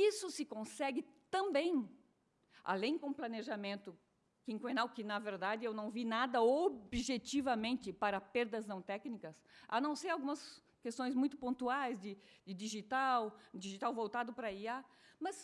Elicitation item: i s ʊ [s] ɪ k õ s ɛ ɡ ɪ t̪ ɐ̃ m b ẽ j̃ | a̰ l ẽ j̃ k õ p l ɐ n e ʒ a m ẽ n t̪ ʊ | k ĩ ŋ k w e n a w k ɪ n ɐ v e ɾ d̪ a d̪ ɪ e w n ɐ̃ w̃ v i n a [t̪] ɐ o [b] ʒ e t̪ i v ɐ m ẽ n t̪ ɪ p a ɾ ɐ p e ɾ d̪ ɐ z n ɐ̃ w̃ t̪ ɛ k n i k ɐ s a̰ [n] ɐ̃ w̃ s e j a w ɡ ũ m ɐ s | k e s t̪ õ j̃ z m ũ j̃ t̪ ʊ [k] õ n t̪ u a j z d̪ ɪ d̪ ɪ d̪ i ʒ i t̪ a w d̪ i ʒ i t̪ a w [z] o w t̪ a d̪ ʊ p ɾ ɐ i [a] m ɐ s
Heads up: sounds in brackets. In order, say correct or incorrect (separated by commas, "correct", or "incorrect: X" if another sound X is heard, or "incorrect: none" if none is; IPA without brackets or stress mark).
correct, incorrect: d̪, correct, correct, incorrect: p, incorrect: v, correct